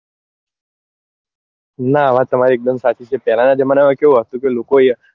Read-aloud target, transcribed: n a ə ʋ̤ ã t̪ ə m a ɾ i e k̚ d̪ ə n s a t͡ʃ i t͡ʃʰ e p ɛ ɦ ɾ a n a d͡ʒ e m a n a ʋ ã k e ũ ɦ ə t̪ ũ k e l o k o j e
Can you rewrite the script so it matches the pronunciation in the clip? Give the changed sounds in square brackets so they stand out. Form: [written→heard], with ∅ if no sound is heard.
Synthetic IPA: n a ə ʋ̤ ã t̪ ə m a ɾ i e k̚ d̪ ə [n→m] s a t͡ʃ i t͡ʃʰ e p ɛ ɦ [ɾ→l] a n a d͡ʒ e m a n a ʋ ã k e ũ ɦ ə t̪ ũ k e l o k o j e